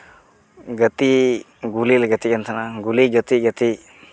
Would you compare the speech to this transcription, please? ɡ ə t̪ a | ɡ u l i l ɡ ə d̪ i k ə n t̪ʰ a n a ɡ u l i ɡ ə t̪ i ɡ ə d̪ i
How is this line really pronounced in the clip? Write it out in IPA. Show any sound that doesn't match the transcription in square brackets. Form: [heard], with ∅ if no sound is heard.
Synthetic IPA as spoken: ɡ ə t̪ [i] | ɡ u l i l ɡ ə [t̪] i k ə n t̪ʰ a n a ɡ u l i ɡ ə t̪ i ɡ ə [t̪] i

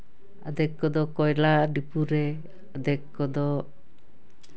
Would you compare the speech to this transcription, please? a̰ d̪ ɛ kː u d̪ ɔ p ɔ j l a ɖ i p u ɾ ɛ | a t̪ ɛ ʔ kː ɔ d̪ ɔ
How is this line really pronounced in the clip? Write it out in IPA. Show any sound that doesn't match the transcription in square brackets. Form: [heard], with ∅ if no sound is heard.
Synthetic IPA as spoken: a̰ d̪ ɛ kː [ɔ] d̪ ɔ [k] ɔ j l a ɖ i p u ɾ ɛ | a [d̪] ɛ [k] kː ɔ d̪ ɔ

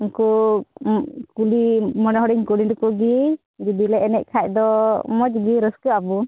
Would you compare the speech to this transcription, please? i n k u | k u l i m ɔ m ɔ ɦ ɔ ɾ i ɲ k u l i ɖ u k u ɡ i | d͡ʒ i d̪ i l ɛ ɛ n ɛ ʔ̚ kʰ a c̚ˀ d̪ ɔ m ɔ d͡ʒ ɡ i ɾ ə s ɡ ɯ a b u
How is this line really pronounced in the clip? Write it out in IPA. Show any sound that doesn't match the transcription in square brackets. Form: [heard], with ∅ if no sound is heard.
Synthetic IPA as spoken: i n k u | k u l i m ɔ [n] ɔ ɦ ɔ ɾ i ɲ k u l i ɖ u k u ɡ i | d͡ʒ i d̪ i l ɛ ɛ n ɛ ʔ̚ kʰ a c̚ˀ d̪ ɔ m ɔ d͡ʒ ɡ i ɾ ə s [k] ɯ a b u

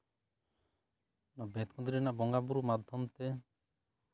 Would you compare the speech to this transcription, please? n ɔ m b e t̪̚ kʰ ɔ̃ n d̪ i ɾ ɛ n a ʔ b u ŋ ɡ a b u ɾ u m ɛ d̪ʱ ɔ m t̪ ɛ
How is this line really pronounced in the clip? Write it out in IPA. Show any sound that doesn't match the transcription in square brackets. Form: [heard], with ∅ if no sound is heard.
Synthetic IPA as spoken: n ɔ [∅] b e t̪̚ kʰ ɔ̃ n d̪ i ɾ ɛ n a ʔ b [ɔ] ŋ ɡ a b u ɾ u m [a] d̪ʱ ɔ m t̪ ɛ

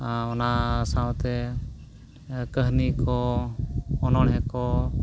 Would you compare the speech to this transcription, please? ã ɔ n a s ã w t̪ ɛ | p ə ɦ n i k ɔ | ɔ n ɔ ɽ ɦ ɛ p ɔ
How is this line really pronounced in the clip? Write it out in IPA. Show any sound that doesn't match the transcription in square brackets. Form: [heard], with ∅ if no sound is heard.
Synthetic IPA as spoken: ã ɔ n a s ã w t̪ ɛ | [k] ə ɦ n i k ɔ | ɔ n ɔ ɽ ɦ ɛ [k] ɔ

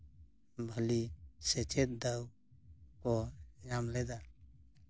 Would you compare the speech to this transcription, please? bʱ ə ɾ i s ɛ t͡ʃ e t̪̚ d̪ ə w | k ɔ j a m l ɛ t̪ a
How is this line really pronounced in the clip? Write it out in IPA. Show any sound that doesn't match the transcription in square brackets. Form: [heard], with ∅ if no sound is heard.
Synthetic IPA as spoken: bʱ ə [l] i s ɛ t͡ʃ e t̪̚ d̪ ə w | k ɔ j a m l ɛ [d̪] a

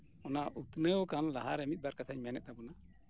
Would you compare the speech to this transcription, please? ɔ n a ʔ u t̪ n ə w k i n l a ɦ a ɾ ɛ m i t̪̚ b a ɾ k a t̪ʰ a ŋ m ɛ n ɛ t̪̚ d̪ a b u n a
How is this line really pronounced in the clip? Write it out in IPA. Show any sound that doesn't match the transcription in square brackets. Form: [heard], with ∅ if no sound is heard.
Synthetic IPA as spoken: ɔ n a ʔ u t̪ n ə w k [a] n l a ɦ a ɾ ɛ m i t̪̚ b a ɾ k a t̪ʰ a [ɲ] m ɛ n ɛ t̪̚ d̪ a b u n a

